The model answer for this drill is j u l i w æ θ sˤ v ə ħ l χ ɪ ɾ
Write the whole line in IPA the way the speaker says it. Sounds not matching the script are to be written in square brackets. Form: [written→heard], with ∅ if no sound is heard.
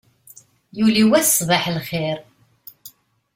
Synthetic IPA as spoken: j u l i w æ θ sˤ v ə ħ l χ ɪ ɾ